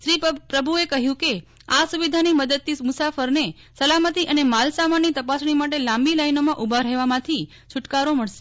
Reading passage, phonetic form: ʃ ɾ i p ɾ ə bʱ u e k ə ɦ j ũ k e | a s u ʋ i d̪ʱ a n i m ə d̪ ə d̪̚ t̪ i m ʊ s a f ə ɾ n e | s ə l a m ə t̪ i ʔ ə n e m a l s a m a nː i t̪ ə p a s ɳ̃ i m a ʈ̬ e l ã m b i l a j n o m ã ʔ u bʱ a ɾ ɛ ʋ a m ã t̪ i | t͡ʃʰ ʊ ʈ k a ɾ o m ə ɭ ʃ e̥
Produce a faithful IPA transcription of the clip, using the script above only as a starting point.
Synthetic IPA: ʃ ɾ i p ɾ ə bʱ u e k ə ɦ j ũ k e | a s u ʋ i d̪ʱ a n i m ə d̪ ə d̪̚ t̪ i m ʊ s a f ə ɾ n e | s ə l a m ə t̪ i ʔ ə n e m a l s a m a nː i t̪ ə p a s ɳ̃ i m a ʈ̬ e l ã m b i l a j n o m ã ʔ u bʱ a ɾ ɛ ʋ a m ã t̪ʰ i | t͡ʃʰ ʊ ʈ k a ɾ o m ə ɭ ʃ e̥